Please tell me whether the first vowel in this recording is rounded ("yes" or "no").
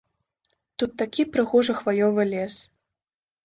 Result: yes